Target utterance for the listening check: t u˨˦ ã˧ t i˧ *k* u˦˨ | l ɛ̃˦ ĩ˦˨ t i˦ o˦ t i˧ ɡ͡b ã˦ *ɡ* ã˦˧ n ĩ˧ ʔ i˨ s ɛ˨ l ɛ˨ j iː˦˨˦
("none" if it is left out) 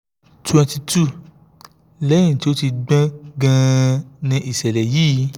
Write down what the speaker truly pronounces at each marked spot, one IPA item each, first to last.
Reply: t, ɡ

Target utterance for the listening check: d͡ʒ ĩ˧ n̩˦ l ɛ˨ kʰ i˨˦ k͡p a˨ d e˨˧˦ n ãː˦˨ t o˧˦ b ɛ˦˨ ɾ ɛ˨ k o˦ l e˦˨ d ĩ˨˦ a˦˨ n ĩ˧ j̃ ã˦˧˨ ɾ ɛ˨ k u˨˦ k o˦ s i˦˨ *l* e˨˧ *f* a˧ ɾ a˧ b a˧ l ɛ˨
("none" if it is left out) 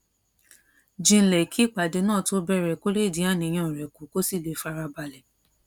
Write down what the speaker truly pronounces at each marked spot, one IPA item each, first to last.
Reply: l, f

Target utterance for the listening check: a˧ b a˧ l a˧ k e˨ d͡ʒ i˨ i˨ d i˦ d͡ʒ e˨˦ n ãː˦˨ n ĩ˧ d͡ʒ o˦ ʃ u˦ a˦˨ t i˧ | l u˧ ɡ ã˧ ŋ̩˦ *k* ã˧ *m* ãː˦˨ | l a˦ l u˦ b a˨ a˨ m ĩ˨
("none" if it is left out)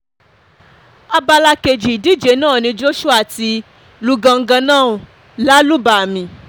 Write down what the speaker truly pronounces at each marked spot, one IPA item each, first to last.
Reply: ɡ, n

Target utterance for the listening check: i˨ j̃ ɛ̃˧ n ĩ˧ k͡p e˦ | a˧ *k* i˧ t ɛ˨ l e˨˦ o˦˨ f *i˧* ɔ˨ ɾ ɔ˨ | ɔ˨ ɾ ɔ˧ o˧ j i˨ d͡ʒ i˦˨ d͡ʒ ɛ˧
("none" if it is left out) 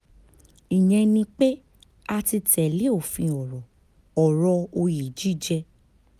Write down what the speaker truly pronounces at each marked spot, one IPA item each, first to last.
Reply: t, ĩ˧

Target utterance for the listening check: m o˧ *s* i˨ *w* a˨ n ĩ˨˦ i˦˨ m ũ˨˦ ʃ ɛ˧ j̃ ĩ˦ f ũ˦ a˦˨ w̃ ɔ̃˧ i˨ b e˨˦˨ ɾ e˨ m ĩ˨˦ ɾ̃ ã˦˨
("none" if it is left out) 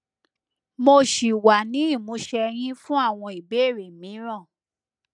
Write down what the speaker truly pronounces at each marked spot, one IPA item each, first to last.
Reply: ʃ, w

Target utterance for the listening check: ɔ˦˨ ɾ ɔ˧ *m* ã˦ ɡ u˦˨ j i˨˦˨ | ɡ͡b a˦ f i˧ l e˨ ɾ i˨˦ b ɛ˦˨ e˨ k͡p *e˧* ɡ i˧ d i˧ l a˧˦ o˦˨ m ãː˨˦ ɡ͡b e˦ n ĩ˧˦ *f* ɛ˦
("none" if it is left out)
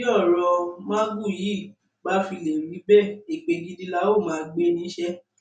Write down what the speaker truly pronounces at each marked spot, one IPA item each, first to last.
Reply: m, e˧, ʃ

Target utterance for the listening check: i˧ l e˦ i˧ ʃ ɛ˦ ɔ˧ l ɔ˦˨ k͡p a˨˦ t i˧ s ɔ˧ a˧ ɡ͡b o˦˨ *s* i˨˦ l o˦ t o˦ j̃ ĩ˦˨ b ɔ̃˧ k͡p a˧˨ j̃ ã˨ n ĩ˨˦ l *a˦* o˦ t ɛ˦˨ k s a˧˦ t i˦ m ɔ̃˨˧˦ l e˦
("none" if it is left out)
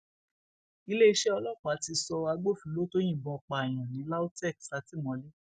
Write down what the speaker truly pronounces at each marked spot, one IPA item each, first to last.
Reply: f, a˦

